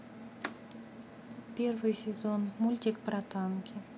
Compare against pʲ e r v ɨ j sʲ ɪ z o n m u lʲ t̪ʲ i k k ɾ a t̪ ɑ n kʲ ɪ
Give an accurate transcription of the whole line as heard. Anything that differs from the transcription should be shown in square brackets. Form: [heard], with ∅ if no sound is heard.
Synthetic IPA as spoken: pʲ e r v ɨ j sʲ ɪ z o n m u lʲ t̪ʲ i k [p] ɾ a t̪ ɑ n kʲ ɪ